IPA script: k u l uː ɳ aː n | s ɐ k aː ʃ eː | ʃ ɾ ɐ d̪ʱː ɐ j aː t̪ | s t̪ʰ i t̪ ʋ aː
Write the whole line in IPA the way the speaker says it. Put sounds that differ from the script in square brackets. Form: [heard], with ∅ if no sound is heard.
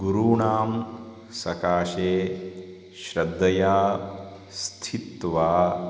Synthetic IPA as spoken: [ɡ] u [ɾ] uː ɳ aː [m] | s ɐ k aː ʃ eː | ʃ ɾ ɐ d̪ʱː ɐ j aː [∅] | s t̪ʰ i t̪ ʋ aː